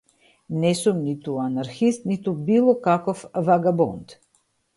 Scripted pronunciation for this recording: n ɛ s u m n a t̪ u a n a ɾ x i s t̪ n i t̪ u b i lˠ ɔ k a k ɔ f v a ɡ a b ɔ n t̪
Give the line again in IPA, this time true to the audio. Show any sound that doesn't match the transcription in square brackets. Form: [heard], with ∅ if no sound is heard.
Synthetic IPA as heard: n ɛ s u m n [i] t̪ u a n a ɾ x i s t̪ n i t̪ u b i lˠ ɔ k a k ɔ f v a ɡ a b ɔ n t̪